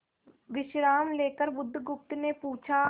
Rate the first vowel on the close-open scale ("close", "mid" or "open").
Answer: close